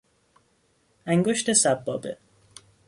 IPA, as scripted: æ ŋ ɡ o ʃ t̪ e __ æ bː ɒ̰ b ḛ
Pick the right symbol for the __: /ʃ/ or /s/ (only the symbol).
s